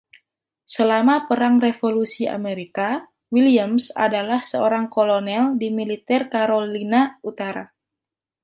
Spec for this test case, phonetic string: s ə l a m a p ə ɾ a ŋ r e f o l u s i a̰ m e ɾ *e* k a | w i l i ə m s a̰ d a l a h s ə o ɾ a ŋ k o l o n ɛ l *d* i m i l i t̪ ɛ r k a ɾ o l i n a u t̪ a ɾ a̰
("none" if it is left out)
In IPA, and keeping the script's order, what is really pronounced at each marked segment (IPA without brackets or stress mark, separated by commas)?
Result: i, d